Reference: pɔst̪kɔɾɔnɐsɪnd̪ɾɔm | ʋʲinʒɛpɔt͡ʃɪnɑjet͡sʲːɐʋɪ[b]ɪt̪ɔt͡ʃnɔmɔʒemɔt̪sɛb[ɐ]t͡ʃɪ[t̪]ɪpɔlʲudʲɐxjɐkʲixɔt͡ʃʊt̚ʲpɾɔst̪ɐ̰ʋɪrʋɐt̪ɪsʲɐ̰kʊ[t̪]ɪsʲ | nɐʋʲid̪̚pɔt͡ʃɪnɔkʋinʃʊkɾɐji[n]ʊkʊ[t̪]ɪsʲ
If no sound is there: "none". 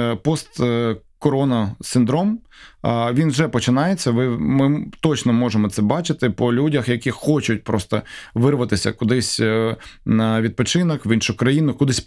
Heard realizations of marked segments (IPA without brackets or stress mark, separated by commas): m, ɑ, t̪, d̪, n, d̪